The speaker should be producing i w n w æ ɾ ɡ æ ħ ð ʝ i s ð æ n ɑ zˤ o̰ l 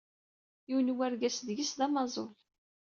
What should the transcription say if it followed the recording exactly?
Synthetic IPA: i w n w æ ɾ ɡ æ s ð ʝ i s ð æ m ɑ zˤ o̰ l